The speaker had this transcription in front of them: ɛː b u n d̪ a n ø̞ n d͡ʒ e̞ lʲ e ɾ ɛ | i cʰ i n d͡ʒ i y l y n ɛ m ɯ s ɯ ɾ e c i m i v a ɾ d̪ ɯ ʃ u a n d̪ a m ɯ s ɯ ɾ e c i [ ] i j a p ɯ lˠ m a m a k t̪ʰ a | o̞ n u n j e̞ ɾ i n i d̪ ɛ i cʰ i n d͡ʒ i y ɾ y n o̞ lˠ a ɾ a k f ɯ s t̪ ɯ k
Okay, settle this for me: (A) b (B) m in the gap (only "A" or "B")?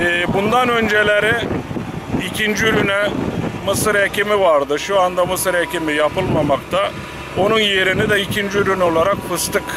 B